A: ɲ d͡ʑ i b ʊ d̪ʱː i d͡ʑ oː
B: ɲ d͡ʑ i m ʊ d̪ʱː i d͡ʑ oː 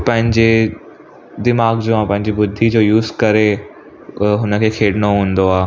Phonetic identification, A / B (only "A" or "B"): A